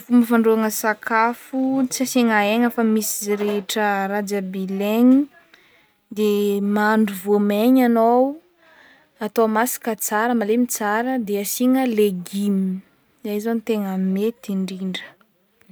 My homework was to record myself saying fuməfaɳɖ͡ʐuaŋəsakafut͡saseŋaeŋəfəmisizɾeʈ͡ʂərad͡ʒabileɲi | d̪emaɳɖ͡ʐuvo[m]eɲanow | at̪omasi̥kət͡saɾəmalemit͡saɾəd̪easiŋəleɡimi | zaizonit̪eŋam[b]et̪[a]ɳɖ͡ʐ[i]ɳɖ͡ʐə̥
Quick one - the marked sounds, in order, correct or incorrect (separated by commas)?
correct, incorrect, incorrect, correct